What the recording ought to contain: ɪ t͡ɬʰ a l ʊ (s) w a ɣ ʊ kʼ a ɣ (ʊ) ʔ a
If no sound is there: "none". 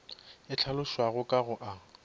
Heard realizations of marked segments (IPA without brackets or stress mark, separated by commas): ʃ, ʊ